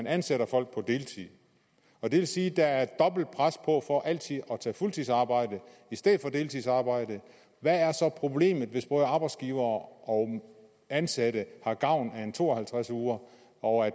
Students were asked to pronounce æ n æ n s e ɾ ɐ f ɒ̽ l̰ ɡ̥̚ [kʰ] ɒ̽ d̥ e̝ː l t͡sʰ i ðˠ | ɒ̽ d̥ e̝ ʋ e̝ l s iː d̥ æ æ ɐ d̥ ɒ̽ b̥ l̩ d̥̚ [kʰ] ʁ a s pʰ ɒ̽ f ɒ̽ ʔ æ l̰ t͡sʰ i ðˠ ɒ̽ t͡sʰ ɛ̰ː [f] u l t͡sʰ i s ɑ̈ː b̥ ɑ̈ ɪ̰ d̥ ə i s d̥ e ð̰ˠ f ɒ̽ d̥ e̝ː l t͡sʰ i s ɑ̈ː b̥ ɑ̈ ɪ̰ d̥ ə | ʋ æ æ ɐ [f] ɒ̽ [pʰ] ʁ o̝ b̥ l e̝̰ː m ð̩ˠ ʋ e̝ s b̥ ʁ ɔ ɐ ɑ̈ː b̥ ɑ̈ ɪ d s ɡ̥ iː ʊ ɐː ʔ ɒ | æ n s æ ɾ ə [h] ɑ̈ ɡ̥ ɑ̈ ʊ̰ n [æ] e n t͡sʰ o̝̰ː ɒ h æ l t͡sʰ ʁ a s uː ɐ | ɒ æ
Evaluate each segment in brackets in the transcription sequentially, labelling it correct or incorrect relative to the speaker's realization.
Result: incorrect, incorrect, correct, incorrect, correct, correct, correct

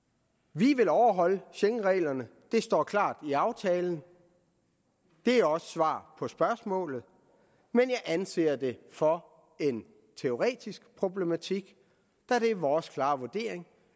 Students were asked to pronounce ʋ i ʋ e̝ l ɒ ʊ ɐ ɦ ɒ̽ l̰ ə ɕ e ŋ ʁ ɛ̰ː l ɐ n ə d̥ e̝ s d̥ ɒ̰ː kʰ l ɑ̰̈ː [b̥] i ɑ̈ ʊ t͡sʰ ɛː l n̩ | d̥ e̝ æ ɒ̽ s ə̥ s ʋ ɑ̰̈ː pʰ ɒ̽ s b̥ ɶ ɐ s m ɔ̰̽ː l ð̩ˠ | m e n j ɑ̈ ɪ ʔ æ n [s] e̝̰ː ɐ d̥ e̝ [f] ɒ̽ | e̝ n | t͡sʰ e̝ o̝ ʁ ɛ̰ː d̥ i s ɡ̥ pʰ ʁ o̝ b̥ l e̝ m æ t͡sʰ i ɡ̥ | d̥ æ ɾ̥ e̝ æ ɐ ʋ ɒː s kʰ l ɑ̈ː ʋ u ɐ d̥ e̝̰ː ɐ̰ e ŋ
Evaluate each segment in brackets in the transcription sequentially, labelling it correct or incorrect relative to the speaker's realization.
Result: incorrect, correct, correct

